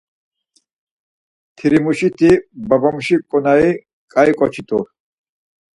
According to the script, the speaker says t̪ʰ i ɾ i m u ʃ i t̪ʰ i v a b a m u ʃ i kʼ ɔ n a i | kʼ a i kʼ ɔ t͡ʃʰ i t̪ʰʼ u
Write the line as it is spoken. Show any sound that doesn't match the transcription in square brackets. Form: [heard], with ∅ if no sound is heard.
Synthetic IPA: t̪ʰ i ɾ i m u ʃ i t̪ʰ i [b] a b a m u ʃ i kʼ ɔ n a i | kʼ a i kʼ ɔ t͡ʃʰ i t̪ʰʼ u